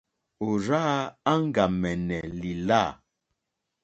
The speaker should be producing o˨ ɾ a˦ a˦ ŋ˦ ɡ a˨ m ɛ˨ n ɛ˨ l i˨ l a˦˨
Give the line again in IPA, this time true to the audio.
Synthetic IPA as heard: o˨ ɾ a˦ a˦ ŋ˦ ɡ a˨ m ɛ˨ n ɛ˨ l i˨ l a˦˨